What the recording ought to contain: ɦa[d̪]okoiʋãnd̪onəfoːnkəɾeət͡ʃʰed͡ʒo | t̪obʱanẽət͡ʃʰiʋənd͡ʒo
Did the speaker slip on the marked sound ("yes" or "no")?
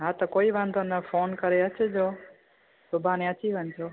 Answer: yes